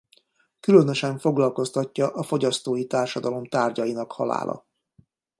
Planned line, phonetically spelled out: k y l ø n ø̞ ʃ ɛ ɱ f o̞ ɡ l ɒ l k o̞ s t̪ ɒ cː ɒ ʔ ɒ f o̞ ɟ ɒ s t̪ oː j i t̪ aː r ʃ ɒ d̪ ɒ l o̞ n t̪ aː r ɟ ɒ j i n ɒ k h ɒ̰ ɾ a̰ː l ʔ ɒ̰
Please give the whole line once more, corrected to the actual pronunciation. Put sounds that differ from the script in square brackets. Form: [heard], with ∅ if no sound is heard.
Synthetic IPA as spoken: k y l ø n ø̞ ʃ ɛ ɱ f o̞ ɡ l ɒ l k o̞ s t̪ ɒ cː ɒ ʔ ɒ f o̞ ɟ ɒ s t̪ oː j i t̪ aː r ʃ ɒ d̪ ɒ l o̞ [m] t̪ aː r ɟ ɒ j i n ɒ k h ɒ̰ [l] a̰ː l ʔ ɒ̰